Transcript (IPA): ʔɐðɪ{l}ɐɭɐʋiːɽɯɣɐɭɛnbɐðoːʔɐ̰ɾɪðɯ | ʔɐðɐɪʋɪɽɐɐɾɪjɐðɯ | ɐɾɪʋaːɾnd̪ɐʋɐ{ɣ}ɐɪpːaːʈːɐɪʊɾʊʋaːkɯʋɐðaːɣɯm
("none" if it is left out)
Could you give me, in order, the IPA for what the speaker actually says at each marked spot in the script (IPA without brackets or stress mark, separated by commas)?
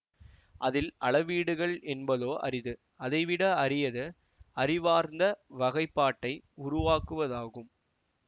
l, ɣ